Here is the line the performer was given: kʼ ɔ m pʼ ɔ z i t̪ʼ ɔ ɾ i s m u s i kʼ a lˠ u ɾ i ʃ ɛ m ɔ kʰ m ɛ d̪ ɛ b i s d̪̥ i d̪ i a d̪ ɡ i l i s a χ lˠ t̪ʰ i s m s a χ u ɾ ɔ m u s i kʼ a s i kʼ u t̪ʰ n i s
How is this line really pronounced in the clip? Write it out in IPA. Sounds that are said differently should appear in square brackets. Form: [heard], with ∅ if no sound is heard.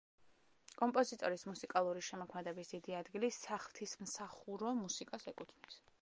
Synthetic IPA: kʼ ɔ m pʼ ɔ z i t̪ʼ ɔ ɾ i s m u s i kʼ a lˠ u ɾ i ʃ ɛ m ɔ kʰ m ɛ d̪ ɛ b i s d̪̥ i d̪ i a d̪ ɡ i l i s a χ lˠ t̪ʰ i s m s a χ u ɾ ɔ m u s i kʼ a s [ɛ] kʼ u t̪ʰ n i s